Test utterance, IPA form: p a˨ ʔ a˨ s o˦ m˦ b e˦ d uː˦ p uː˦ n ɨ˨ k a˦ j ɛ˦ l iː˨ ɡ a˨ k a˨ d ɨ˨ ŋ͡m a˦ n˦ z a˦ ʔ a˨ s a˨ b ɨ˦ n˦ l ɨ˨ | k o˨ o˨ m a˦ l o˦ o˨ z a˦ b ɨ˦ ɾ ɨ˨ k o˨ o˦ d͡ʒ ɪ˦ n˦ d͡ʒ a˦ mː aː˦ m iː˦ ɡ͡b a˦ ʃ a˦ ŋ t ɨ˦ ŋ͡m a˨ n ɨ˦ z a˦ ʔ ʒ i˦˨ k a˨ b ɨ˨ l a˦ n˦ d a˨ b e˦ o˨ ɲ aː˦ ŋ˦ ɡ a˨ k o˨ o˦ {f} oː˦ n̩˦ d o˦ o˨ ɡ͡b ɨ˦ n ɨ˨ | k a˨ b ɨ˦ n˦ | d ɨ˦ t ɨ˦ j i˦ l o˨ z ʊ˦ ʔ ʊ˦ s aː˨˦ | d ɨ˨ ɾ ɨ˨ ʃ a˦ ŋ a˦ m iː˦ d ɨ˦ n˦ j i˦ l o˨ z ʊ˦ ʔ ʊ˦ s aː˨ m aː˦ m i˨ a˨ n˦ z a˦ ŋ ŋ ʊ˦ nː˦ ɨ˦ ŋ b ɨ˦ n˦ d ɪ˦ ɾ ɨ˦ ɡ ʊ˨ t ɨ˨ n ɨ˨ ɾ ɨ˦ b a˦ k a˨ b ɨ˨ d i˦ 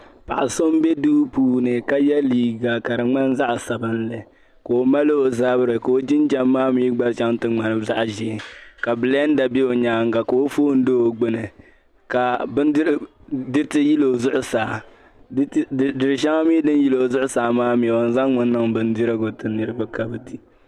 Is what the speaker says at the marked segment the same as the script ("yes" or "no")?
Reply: yes